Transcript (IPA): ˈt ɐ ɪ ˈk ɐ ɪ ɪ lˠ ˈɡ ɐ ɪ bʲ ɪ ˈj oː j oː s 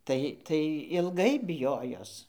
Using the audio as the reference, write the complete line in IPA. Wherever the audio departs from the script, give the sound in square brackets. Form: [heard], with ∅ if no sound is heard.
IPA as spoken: ˈt ɐ ɪ [ˈt] ɐ ɪ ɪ lˠ ˈɡ ɐ ɪ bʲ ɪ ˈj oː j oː s